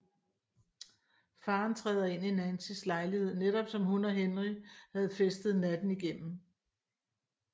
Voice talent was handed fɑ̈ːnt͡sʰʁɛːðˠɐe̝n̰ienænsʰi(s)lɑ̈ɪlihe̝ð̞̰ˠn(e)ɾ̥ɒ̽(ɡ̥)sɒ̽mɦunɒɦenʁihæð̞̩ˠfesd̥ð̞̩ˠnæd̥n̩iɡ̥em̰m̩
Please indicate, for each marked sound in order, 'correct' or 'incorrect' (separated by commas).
correct, correct, incorrect